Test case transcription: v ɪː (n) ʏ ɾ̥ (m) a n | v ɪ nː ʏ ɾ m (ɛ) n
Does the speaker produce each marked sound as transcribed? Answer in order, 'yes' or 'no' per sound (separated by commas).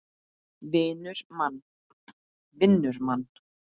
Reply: yes, yes, no